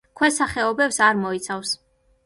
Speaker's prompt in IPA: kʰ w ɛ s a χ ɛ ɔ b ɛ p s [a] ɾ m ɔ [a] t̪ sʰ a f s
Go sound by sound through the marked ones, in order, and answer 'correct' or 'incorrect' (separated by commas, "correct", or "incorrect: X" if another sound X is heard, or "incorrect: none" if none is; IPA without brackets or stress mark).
correct, incorrect: i